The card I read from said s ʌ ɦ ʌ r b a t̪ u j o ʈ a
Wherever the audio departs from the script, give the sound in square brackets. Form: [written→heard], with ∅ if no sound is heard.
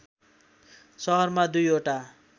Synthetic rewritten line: s ʌ ɦ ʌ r [b→m] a [t̪→d̪] u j o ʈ a

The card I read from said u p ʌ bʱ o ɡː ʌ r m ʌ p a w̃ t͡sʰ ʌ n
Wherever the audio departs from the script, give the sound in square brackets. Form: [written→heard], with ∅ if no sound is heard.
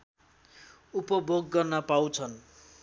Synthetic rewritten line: u p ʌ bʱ o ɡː ʌ r [m→n] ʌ p a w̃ t͡sʰ ʌ n

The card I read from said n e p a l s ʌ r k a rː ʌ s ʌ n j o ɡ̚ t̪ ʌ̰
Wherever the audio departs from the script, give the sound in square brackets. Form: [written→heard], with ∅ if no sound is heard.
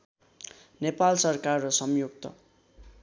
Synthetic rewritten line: n e p a l s ʌ r k a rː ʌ s ʌ [n→m] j o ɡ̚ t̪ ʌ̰

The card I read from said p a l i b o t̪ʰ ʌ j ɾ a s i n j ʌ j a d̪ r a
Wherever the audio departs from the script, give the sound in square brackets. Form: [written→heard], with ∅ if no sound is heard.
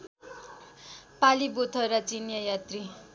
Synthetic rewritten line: p a l i b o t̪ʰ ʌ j ɾ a [s→t͡s] i n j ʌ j a [d̪→t̪] r [a→i]

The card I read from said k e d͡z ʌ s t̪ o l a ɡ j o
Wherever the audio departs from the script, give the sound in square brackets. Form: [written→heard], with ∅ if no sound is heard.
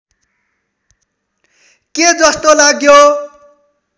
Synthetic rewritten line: k e d͡z ʌ s t̪ o l a ɡ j o

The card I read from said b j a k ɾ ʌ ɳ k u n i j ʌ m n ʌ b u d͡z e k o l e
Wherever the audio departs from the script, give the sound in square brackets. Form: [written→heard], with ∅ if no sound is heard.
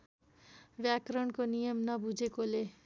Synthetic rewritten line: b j a k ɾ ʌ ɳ k [u→o] n i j ʌ m n ʌ b u d͡z e k o l e

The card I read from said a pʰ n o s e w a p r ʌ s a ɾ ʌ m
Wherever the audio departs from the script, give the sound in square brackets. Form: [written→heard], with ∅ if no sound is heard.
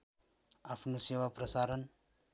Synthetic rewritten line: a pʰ n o s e w a p r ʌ s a ɾ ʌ [m→n]

